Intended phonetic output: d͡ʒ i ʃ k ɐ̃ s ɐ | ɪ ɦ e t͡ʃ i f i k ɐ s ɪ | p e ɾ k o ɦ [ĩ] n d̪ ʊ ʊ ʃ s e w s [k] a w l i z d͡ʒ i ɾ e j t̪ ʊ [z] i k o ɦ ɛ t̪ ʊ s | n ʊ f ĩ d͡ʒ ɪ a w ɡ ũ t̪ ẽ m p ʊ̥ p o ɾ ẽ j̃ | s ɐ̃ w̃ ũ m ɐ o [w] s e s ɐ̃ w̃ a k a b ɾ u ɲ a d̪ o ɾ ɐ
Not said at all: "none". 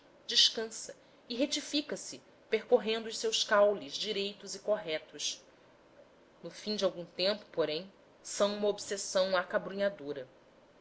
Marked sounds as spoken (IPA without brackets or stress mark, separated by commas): ẽ, k, z, b